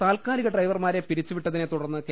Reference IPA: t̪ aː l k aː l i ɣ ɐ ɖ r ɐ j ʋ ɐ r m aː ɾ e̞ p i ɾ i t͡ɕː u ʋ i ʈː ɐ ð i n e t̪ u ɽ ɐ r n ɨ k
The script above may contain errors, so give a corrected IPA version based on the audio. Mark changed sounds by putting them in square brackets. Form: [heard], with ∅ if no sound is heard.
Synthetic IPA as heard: t̪ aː l k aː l i ɣ ɐ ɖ r ɐ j ʋ ɐ r m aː ɾ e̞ p i ɾ i t͡ɕː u ʋ i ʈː ɐ ð i n e t̪ u ɽ ɐ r [nː] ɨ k